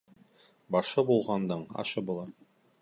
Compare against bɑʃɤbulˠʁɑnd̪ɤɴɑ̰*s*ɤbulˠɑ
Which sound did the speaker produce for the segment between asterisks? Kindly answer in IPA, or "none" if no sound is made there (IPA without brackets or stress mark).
ʃ